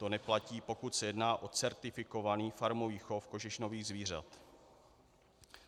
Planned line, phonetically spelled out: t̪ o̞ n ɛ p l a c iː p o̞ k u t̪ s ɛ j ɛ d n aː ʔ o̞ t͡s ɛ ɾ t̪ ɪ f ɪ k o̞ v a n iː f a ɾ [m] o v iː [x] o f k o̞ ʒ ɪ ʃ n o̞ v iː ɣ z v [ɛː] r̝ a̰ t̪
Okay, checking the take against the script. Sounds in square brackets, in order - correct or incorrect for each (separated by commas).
correct, correct, incorrect